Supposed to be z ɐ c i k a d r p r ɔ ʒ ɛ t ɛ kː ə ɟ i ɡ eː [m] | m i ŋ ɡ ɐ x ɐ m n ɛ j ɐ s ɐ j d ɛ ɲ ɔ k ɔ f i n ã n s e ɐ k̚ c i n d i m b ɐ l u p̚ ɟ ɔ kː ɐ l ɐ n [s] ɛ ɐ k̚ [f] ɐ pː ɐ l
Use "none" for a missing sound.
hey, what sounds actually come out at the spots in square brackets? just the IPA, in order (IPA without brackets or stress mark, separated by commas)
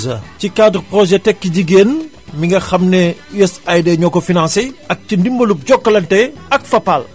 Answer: n, t, f